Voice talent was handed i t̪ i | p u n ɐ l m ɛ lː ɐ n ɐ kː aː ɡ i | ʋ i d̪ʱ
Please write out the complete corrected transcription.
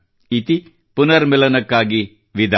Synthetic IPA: i t̪ i | p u n ɐ ɾ m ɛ l ɐ n ɐ kː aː ɡ i | ʋ i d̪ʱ

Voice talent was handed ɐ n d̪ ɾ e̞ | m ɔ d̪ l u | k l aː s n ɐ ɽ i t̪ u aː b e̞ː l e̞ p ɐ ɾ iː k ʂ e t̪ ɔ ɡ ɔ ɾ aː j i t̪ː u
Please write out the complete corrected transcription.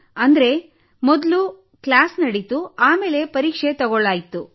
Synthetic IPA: ɐ n d̪ ɾ e̞ | m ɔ d̪ l u | k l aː s n ɐ ɽ i t̪ u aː m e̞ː l e̞ p ɐ ɾ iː k ʂ e t̪ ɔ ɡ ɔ ɭ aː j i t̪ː u

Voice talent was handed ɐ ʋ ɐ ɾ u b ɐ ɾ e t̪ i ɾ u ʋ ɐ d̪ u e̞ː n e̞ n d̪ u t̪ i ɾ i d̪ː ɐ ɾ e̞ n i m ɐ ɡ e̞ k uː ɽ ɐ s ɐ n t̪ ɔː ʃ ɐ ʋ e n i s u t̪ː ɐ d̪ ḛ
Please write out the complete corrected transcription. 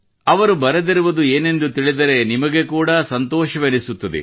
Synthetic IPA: ɐ ʋ ɐ ɾ u b ɐ ɾ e d̪ i ɾ u ʋ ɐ d̪ u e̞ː n e̞ n d̪ u t̪ i ɭ i d̪ ɐ ɾ e̞ n i m ɐ ɡ e̞ k uː ɽ ɐ s ɐ n t̪ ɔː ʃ ɐ ʋ e n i s u t̪ː ɐ d̪ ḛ

